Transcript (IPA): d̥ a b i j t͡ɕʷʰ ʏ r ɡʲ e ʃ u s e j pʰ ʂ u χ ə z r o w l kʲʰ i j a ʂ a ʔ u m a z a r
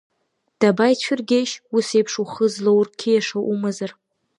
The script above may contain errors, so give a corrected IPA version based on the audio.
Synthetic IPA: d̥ a b a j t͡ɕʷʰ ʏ r ɡʲ e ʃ u s e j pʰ ʂ u χ ə z l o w r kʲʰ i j a ʂ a ʔ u m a z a r